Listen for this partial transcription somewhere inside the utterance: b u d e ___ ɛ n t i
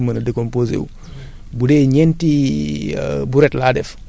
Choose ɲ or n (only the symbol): ɲ